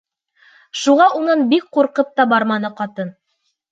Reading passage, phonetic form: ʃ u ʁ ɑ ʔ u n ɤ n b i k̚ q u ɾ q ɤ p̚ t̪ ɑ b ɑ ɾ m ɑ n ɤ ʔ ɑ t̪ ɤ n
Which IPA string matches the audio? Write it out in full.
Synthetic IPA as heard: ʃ u ʁ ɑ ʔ u n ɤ n b i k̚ q u ɾ q ɤ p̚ t̪ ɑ b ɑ ɾ m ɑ n ɤ q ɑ t̪ ɤ n